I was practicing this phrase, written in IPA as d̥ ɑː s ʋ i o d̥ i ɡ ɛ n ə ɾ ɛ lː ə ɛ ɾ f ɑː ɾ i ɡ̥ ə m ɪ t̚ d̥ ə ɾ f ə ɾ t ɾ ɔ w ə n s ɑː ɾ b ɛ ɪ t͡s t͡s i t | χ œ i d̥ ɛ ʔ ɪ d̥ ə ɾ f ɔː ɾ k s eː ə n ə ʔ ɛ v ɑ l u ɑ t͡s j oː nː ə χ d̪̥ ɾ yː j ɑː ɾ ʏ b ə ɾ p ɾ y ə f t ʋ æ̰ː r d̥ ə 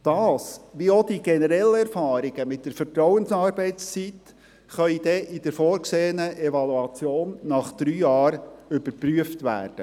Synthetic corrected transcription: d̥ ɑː s ʋ i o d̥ i ɡ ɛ n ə ɾ ɛ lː ə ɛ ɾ f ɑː ɾ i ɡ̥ ə m ɪ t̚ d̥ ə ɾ f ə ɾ t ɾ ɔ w ə n s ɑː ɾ b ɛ ɪ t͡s t͡s i t | χ œ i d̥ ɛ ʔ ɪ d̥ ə ɾ f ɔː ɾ k s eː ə n ə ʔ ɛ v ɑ l u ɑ t͡s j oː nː ɑ χ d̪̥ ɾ yː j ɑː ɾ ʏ b ə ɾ p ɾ y ə f t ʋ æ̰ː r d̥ ə